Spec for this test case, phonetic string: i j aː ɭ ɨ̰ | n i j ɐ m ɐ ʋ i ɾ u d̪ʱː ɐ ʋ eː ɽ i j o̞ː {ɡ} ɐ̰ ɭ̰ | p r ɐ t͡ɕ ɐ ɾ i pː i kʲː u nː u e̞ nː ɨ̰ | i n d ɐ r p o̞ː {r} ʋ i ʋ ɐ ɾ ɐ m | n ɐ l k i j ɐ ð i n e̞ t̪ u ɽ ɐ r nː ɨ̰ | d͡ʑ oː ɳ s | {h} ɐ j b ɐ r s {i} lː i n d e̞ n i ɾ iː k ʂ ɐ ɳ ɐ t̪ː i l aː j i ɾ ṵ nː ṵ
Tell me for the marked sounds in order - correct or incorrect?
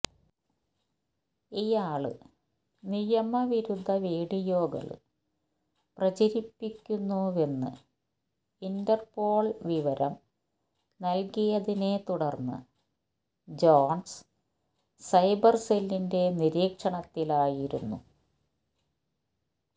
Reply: correct, incorrect: ɭ, incorrect: s, incorrect: e

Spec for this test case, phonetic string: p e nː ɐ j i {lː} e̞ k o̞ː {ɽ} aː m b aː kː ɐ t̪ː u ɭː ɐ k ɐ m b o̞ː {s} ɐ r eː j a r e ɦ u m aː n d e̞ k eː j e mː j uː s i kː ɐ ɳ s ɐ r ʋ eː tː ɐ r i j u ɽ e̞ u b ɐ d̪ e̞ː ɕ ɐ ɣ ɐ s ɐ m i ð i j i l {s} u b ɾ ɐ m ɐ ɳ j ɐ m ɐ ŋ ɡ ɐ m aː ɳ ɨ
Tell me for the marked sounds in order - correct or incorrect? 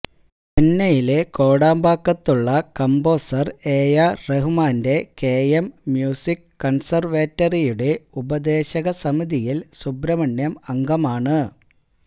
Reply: incorrect: l, correct, correct, correct

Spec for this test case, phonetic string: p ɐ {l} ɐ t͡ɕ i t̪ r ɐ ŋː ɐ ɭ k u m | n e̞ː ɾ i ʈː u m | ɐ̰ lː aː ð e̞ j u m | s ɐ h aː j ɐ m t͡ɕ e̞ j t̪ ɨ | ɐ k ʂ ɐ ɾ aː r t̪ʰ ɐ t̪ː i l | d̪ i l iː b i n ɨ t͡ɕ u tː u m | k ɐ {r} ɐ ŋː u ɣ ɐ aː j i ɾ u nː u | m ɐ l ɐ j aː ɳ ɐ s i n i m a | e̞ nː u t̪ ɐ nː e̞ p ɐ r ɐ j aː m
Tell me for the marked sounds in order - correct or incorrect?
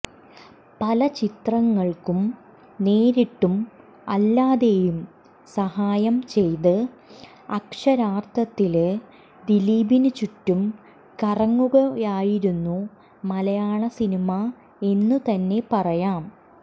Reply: correct, correct

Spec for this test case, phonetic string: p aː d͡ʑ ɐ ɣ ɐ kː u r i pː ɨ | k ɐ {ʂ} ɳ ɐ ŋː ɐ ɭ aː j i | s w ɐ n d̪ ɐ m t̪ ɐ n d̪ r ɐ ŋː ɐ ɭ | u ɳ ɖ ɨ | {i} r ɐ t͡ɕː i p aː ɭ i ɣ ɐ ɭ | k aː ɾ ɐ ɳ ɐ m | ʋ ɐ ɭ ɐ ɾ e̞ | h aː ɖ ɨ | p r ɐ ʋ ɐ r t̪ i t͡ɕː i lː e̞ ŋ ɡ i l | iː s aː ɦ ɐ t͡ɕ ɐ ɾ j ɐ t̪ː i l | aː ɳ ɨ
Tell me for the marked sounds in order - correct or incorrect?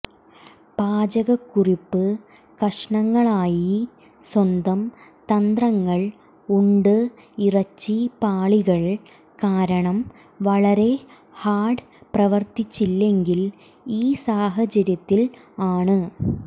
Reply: correct, correct

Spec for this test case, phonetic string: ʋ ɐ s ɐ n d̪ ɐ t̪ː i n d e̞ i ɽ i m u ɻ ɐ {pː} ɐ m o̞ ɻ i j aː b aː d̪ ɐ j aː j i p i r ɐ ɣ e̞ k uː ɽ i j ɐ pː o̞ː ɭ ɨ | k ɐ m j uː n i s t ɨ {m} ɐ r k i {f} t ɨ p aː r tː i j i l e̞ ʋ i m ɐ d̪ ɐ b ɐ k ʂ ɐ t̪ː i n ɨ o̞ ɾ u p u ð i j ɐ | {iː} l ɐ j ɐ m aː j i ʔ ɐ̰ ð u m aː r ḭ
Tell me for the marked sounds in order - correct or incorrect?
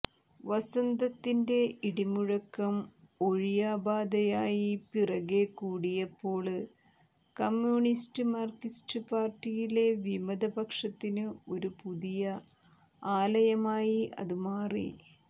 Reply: incorrect: kː, correct, incorrect: s, incorrect: aː

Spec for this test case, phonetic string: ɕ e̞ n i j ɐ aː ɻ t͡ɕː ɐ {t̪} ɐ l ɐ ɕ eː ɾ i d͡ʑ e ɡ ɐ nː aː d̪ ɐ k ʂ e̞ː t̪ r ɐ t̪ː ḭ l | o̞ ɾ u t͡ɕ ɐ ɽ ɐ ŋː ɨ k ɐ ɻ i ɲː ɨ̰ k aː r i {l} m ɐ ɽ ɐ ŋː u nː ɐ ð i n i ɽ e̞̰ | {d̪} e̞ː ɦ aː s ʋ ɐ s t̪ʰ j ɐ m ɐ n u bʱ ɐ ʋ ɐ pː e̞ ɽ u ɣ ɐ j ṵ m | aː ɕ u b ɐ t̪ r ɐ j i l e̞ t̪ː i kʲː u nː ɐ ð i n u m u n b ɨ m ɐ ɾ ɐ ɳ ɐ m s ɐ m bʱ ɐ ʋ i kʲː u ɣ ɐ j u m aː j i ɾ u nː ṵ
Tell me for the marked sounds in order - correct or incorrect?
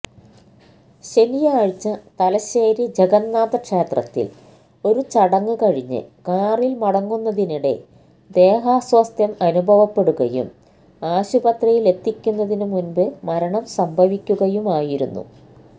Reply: correct, correct, correct

